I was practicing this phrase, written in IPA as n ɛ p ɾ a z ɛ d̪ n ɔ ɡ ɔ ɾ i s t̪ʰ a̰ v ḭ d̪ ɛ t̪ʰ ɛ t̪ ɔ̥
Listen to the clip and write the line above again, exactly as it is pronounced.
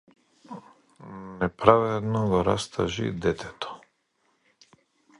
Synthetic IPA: n ɛ p ɾ a v ɛ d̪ n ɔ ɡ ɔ ɾ a s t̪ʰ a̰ ʒ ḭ d̪ ɛ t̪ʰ ɛ t̪ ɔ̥